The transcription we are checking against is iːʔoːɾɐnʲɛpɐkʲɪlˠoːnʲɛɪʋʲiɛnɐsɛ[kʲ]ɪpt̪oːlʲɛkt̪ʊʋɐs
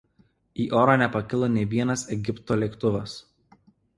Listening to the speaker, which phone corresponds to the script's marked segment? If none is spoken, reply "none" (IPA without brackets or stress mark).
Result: ɡʲ